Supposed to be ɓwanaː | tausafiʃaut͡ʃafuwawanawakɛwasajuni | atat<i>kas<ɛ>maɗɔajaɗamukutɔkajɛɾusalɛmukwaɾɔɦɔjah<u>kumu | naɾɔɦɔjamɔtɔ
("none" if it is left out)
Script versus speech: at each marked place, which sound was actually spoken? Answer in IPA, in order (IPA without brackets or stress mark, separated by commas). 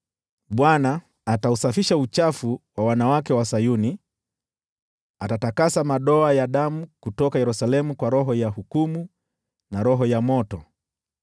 a, a, u